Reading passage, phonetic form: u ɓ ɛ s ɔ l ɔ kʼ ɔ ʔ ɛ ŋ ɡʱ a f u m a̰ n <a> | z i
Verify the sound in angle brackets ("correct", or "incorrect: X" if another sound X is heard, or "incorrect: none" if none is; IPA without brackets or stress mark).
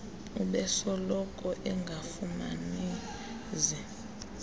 incorrect: i